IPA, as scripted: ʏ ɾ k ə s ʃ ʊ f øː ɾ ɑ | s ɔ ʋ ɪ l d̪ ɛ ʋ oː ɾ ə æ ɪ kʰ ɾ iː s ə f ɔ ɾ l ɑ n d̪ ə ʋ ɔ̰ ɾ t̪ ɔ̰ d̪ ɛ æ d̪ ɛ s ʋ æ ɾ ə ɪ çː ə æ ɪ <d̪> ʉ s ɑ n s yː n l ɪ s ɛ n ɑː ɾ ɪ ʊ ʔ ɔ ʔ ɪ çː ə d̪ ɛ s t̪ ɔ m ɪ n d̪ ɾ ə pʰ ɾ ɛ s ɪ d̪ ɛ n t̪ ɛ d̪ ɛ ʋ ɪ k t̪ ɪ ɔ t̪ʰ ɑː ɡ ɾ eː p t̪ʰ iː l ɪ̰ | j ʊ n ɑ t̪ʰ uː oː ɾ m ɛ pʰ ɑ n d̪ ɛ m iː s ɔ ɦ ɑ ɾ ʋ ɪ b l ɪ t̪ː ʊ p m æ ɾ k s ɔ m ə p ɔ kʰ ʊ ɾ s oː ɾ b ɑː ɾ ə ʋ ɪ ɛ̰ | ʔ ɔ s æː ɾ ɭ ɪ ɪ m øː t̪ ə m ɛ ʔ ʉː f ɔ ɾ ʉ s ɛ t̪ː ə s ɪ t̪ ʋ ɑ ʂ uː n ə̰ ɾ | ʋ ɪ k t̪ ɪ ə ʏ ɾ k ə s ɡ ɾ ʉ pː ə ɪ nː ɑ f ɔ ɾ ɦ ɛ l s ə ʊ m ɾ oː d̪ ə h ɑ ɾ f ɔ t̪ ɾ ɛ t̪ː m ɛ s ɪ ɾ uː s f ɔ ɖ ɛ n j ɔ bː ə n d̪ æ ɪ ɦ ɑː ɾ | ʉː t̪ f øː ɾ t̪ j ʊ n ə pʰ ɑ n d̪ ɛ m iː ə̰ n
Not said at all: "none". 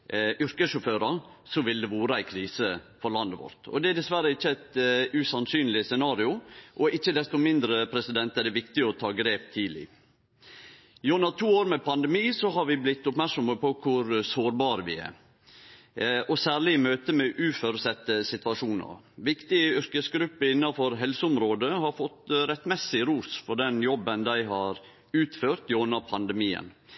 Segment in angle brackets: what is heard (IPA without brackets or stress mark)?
t̪